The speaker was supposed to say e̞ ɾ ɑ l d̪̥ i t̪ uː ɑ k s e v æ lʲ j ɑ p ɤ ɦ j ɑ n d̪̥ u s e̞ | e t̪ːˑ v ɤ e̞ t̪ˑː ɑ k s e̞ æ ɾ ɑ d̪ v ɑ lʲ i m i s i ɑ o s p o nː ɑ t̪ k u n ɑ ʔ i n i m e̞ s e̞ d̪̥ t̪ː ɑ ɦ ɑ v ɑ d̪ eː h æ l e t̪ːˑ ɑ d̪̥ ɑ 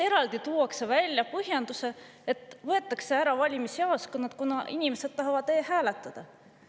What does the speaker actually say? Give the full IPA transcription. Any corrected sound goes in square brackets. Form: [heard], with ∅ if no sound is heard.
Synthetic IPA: e̞ ɾ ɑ l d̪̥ i t̪ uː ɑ k s e v æ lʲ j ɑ p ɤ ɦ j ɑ n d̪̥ u s e̞ | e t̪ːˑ v ɤ e̞ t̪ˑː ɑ k s e̞ æ ɾ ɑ [∅] v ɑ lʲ i m i s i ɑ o s [k] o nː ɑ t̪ k u n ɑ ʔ i n i m e̞ s e̞ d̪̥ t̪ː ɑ ɦ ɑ v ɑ d̪ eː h [æː] l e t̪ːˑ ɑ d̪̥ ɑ